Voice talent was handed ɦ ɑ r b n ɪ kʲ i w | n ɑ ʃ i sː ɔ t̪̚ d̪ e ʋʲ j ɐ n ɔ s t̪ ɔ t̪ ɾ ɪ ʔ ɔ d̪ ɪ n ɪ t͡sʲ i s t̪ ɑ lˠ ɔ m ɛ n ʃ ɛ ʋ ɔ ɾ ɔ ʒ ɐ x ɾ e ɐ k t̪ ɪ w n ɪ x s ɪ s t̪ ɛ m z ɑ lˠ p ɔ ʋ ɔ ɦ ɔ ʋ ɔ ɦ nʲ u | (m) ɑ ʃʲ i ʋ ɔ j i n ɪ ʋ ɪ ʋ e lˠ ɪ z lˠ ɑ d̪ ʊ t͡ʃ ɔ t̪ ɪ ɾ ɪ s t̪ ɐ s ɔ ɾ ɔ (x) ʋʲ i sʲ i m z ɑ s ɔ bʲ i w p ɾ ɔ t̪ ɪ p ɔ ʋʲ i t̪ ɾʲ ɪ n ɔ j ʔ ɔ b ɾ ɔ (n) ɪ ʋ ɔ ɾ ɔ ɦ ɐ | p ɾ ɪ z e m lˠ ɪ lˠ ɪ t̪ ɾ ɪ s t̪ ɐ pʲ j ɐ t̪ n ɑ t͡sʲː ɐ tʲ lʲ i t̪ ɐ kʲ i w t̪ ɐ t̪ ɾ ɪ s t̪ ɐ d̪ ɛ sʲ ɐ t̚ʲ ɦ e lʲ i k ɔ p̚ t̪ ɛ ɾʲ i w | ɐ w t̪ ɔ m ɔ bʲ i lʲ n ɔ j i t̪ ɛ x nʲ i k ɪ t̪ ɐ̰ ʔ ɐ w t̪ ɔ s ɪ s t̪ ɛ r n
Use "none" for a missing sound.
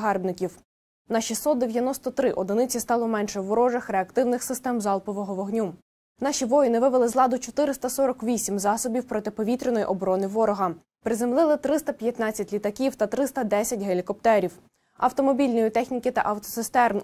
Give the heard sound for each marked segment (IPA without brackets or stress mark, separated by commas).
n, k, n